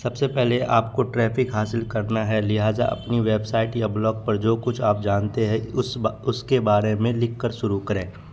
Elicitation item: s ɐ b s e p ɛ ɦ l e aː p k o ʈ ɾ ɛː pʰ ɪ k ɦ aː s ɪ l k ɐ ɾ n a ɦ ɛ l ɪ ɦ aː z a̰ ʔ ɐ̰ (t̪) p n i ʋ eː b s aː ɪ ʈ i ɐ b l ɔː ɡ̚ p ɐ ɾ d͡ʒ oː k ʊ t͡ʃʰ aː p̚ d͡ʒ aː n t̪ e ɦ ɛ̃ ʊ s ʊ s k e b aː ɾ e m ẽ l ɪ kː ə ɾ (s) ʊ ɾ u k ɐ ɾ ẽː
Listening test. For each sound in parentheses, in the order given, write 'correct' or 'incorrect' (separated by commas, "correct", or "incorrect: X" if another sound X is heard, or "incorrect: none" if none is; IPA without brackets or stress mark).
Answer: incorrect: none, incorrect: ʃ